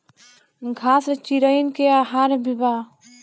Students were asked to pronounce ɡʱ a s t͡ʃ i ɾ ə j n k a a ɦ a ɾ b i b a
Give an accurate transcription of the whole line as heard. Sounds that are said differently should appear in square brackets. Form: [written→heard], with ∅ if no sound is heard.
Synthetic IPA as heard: ɡʱ a s t͡ʃ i ɾ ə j n k [a→e] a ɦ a ɾ b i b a